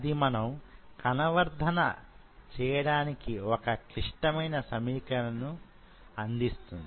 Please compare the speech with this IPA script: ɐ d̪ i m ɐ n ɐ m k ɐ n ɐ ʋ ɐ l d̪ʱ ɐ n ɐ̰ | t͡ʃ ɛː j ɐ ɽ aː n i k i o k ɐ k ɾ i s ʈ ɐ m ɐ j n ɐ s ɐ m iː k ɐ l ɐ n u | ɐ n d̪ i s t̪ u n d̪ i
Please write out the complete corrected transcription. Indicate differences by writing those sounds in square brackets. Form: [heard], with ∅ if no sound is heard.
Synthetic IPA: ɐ d̪ i m ɐ n ɐ m k ɐ n ɐ ʋ ɐ [ɾ] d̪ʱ ɐ n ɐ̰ | t͡ʃ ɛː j ɐ ɽ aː n i k i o k ɐ k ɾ i [ʂ] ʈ ɐ m ɐ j n ɐ s ɐ m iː k ɐ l ɐ n u | ɐ n d̪ i s t̪ u n d̪ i